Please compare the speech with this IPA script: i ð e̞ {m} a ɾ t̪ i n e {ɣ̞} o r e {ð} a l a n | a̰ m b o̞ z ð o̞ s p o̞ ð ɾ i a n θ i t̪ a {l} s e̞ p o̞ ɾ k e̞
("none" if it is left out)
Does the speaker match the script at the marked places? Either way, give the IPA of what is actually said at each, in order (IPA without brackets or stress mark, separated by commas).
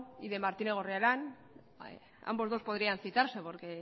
m, ɣ̞, none, ɾ